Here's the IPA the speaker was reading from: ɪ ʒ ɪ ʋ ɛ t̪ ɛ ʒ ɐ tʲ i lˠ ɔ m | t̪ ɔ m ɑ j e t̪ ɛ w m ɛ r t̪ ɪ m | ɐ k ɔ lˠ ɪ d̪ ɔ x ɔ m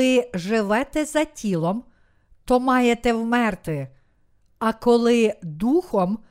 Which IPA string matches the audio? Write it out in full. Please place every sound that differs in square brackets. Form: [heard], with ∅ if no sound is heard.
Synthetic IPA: ɪ ʒ ɪ ʋ ɛ t̪ ɛ [z] ɐ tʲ i lˠ ɔ m | t̪ ɔ m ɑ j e t̪ ɛ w m ɛ r t̪ ɪ [∅] | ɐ k ɔ lˠ ɪ d̪ [u] x ɔ m